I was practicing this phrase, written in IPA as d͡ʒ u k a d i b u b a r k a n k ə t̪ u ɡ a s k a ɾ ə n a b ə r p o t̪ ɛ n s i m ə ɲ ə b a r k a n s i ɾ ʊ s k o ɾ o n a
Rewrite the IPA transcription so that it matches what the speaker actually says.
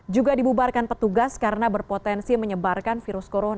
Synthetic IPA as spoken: d͡ʒ u ɡ a d i b u b a r k a n p ə t̪ u ɡ a s k a ɾ ə n a b ə r p o t̪ ɛ n s i m ə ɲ ə b a r k a n f i ɾ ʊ s k o ɾ o n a